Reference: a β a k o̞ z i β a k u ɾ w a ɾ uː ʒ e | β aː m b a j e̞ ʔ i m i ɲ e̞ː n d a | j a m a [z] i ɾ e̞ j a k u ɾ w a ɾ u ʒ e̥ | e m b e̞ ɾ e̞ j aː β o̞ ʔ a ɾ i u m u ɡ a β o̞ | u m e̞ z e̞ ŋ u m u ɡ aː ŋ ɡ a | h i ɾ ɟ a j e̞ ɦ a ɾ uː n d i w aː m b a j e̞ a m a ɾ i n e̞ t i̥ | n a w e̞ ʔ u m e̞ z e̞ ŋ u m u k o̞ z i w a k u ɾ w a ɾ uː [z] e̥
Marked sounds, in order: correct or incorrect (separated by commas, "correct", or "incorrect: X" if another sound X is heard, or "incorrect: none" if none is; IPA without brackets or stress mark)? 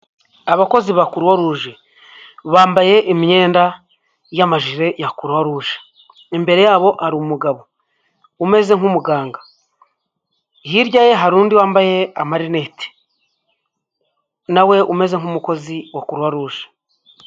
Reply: incorrect: ʒ, incorrect: ʒ